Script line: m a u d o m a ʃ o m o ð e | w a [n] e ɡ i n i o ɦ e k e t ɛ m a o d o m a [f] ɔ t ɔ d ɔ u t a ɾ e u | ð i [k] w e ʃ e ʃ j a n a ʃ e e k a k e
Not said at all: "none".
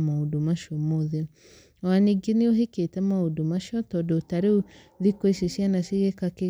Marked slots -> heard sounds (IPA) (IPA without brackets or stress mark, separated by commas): n, ʃ, k